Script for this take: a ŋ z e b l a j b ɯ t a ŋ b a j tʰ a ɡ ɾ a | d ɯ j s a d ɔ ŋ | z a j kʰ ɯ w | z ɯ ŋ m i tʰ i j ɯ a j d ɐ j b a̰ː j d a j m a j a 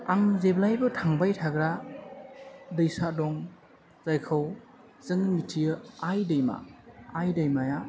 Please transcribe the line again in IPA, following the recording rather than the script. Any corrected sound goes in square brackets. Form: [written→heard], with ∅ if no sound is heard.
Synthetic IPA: a ŋ z e b l a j b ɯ [t→tʰ] a ŋ b a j tʰ a ɡ ɾ a | d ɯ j s a d ɔ ŋ | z a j kʰ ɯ w | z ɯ ŋ m i tʰ i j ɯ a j d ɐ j [b→m] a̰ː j d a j m a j a